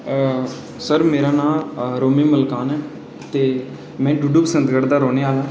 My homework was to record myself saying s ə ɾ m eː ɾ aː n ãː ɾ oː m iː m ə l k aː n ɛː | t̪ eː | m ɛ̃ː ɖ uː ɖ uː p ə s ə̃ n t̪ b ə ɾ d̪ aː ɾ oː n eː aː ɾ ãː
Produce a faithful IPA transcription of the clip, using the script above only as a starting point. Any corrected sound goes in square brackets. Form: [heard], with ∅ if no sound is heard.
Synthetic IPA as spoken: s ə ɾ m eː ɾ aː n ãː ɾ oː m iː m ə l k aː n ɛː | t̪ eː | m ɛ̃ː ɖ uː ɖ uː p ə s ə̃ n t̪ [ɡ] ə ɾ d̪ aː ɾ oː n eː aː [l] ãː

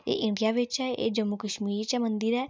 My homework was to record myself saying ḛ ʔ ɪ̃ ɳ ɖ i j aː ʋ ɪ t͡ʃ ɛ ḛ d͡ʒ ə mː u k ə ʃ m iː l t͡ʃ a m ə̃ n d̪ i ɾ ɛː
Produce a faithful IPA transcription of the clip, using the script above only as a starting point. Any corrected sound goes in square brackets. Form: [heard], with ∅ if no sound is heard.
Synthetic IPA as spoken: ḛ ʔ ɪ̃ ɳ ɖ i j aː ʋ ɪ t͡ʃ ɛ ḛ d͡ʒ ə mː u k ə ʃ m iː [ɾ] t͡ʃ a m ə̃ n d̪ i ɾ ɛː

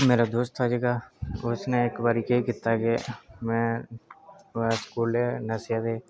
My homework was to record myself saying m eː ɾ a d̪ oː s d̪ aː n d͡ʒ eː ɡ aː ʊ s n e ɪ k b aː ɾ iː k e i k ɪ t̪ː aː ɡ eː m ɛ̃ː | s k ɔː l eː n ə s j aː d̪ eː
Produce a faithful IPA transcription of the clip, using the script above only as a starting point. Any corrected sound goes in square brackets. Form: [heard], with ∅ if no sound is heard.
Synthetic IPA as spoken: m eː ɾ a d̪ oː s [t̪] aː [∅] d͡ʒ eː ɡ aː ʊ s n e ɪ k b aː ɾ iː k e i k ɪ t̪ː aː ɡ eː m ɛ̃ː | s k [uː] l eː n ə s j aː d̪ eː

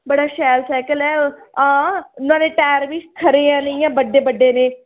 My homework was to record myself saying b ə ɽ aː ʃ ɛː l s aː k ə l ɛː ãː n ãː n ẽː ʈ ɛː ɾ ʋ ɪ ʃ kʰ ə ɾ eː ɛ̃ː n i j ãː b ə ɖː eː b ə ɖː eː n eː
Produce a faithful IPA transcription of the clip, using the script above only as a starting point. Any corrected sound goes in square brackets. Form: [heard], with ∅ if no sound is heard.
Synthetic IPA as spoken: b ə ɽ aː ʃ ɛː l s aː k ə l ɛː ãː n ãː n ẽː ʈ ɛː ɾ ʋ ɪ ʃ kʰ ə ɾ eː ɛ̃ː n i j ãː b ə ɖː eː b ə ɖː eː n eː

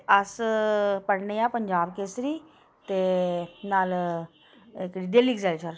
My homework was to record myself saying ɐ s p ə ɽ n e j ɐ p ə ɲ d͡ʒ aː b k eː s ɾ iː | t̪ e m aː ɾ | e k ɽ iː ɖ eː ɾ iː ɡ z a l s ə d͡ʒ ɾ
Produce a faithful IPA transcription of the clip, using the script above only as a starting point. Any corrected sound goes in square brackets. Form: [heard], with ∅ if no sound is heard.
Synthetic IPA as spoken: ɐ s p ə ɽ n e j [a] p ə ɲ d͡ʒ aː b k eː s ɾ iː | t̪ e [n] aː [l] | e k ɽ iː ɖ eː [l] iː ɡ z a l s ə [∅] ɾ

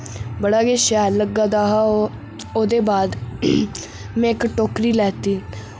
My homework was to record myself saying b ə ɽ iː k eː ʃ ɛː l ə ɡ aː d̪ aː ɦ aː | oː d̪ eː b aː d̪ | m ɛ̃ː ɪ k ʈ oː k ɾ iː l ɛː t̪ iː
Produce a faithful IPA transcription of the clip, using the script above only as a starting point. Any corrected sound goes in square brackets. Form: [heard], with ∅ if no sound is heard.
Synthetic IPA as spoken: b ə ɽ [aː] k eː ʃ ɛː l ə ɡ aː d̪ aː ɦ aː | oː d̪ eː b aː d̪ | m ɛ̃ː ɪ k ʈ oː k ɾ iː l ɛː t̪ iː

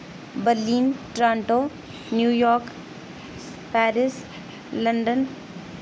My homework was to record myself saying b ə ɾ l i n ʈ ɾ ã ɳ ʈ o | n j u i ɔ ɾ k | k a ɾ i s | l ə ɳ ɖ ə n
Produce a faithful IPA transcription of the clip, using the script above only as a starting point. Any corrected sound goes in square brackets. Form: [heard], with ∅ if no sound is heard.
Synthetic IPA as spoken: b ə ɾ l i n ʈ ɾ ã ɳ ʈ o | n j u [j] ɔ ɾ k | [p] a ɾ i s | l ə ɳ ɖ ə n

